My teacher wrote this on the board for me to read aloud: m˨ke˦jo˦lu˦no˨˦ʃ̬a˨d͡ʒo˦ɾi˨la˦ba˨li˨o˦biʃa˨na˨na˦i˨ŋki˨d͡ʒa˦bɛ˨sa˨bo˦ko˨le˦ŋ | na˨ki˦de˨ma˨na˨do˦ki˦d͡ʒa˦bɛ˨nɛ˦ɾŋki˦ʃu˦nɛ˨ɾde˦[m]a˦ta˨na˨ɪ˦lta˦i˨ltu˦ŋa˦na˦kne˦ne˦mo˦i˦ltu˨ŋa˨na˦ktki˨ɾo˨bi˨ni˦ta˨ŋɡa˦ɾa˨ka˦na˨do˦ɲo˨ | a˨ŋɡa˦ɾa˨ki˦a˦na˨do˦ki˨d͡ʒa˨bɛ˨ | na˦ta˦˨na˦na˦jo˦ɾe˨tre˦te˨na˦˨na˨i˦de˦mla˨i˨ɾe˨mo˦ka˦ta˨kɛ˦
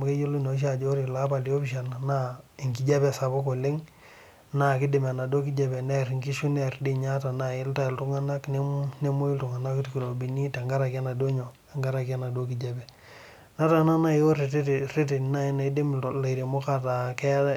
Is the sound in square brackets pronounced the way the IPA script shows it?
no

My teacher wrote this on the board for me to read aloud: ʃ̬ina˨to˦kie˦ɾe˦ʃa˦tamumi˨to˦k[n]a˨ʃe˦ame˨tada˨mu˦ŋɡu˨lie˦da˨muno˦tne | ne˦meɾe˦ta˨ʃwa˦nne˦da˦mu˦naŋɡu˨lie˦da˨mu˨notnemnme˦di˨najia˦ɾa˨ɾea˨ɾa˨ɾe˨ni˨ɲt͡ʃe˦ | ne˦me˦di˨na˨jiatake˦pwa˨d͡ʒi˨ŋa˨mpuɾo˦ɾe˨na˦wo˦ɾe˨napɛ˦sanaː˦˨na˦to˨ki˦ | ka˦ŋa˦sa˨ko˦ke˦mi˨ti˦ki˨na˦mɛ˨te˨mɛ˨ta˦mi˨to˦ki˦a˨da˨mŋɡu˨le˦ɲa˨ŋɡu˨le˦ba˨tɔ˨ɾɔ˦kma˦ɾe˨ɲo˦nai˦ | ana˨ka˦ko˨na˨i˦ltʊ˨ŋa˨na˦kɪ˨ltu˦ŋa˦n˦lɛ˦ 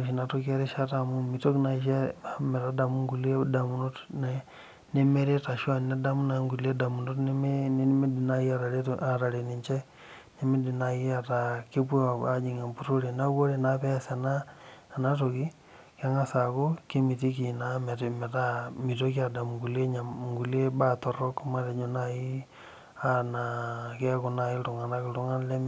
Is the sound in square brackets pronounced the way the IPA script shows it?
yes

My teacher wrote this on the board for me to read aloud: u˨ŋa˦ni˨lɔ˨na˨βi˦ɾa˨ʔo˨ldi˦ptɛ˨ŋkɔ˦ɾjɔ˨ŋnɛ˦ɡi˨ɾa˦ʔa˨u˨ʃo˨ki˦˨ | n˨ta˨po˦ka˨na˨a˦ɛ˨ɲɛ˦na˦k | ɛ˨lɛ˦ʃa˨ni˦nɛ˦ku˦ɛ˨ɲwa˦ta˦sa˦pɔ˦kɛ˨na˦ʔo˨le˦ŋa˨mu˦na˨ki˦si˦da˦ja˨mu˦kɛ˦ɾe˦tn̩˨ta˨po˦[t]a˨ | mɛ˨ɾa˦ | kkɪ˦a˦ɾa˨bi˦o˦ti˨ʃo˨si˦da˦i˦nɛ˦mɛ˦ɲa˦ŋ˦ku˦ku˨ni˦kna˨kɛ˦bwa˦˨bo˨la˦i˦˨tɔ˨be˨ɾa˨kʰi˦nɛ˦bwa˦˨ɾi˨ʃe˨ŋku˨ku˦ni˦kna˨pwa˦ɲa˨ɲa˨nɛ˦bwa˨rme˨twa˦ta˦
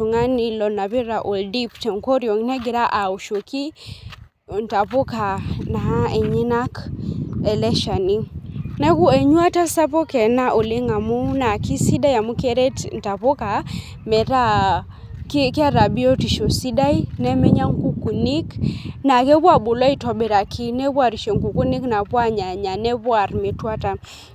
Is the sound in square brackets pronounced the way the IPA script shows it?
no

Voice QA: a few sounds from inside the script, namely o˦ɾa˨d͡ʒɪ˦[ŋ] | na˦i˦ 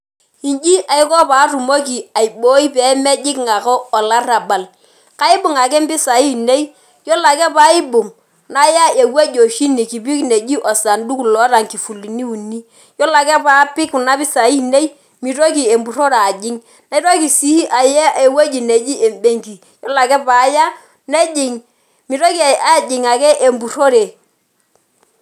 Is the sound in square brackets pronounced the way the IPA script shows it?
yes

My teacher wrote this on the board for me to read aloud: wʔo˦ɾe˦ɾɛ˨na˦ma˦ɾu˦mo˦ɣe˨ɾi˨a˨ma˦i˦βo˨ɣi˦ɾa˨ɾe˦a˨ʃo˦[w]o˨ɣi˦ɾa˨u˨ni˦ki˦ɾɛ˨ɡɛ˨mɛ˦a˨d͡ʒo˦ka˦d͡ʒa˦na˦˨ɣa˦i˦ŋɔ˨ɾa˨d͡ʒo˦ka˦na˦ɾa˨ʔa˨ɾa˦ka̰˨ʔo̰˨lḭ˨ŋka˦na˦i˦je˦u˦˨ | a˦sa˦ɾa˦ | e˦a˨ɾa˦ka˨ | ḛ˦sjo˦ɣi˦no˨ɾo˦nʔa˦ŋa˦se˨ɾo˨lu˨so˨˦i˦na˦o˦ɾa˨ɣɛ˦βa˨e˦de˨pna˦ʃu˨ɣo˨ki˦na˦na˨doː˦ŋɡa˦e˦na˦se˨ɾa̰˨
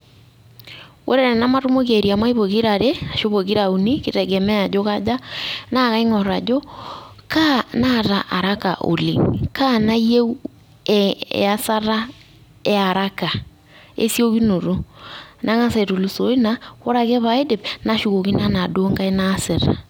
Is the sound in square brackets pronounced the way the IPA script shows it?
no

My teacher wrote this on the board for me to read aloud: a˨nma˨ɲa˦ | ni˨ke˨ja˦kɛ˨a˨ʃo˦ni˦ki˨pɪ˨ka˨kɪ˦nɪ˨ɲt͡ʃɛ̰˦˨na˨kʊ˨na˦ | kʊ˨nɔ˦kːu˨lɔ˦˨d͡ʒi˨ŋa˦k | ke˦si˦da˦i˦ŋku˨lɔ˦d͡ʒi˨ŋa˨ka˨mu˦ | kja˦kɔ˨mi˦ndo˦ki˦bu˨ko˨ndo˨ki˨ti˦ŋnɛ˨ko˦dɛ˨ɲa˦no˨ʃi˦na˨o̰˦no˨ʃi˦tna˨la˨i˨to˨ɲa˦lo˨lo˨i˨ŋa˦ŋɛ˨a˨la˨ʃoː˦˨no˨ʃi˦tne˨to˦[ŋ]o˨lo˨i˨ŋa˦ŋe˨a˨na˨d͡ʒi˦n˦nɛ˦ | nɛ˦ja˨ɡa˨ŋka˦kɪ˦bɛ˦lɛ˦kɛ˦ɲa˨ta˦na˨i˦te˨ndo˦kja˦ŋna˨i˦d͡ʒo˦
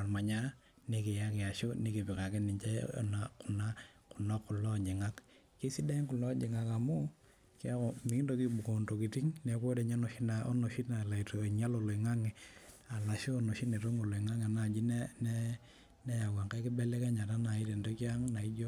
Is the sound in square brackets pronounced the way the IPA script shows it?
yes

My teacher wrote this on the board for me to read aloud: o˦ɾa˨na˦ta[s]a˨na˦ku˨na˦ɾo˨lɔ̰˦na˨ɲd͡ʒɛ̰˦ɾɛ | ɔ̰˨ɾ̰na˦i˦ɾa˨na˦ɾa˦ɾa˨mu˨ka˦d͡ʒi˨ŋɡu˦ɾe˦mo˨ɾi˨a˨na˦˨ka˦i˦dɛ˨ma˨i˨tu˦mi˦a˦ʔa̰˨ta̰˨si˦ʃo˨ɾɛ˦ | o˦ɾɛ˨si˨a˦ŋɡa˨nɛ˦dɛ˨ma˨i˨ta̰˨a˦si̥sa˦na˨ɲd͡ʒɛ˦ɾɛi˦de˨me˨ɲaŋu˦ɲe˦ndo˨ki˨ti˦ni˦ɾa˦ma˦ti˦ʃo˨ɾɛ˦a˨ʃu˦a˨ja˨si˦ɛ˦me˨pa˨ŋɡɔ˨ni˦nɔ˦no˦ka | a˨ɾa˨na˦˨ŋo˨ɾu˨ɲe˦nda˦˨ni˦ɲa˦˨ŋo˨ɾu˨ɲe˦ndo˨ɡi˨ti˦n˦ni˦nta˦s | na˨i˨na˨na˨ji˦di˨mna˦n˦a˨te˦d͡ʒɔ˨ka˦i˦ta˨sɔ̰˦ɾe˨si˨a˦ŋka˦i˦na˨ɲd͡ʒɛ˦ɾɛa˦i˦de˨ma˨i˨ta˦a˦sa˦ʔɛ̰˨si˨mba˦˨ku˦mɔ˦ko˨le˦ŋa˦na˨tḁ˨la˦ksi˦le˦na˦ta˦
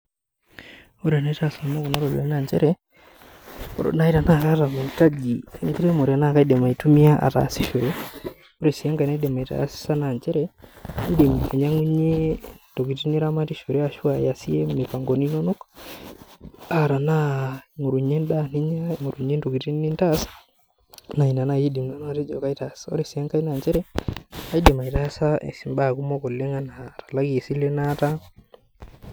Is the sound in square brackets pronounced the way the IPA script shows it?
yes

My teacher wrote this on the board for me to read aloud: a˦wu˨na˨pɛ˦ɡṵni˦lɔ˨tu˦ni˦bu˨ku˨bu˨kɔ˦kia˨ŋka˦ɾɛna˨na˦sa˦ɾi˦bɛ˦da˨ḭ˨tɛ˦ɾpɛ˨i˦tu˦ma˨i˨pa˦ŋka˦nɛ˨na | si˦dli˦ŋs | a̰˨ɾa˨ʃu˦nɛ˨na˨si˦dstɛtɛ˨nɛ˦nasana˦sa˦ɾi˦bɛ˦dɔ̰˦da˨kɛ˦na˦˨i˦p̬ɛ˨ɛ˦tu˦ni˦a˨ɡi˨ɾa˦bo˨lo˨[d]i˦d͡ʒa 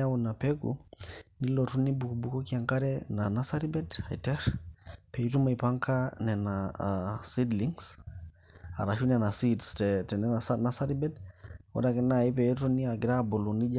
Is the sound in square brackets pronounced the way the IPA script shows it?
no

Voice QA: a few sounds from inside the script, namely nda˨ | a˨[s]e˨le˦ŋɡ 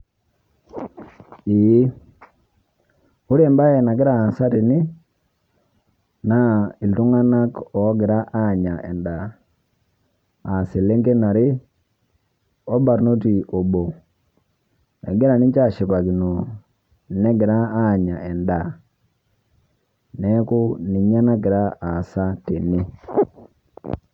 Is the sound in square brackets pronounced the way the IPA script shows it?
yes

